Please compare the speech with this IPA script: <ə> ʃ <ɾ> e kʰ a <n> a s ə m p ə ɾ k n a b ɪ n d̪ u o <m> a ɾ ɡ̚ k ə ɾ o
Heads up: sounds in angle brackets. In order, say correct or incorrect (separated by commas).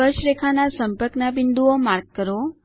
correct, correct, correct, correct